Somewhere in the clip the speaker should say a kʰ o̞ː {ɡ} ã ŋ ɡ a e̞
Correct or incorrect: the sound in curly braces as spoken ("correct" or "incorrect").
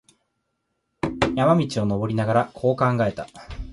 incorrect